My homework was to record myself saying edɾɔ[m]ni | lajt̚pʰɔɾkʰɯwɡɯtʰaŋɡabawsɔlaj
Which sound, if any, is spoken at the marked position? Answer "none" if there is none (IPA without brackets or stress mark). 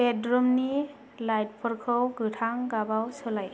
m